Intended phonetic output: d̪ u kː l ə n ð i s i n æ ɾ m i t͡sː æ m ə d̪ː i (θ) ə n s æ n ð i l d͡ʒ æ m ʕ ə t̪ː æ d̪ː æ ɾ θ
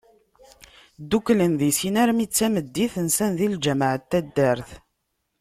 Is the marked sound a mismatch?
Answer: no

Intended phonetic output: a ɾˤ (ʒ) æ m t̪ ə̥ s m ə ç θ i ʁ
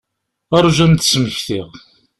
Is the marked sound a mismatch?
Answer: no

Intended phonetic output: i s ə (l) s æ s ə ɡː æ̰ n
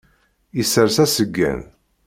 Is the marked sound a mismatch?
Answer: yes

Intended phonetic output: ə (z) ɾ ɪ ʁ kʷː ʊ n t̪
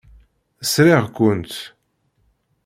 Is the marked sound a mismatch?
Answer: yes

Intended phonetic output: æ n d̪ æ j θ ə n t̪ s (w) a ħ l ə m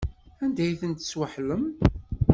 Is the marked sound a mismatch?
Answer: no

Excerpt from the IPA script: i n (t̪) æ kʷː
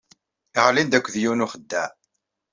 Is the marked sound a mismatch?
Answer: yes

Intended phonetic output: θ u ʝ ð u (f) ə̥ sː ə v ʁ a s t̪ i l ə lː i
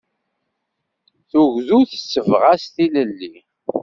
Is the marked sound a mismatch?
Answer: yes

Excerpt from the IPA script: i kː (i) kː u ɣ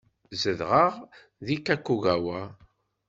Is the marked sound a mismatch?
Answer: yes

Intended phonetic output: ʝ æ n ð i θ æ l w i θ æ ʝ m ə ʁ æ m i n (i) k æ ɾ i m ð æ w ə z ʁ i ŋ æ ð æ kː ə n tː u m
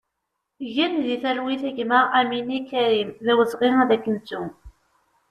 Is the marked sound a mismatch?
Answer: no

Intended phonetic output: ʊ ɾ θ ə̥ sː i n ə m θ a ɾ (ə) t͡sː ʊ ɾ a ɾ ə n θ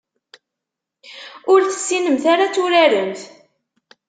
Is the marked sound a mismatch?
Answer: yes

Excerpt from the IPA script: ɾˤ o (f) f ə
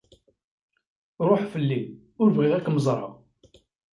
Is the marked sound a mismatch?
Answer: yes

